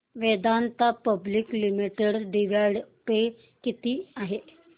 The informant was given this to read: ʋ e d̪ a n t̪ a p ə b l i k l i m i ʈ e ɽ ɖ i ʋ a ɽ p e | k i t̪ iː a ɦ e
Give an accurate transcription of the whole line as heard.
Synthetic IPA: ʋ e d̪ a n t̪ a p ə b l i k l i m i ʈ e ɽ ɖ i ʋ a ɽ p e | k i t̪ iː a ɦ e